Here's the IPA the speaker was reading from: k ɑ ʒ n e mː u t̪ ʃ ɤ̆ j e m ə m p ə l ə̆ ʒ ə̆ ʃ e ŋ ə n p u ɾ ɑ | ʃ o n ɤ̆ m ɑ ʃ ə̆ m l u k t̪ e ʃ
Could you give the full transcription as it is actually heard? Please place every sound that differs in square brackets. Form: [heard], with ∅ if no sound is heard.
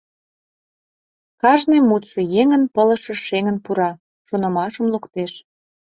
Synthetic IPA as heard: k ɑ ʒ n e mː u t̪ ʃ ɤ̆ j e [ŋ] ə [n] p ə l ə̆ [ʃ] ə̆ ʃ e ŋ ə n p u ɾ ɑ | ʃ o n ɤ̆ m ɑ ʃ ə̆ m l u k t̪ e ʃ